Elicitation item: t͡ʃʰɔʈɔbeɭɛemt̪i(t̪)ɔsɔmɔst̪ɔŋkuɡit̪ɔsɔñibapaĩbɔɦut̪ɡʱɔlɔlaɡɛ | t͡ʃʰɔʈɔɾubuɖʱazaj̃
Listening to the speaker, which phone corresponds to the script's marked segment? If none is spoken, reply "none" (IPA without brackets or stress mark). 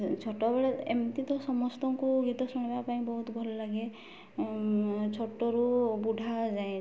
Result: t̪